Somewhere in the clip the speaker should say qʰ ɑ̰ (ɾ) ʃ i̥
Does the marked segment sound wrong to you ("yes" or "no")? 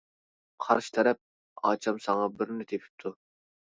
no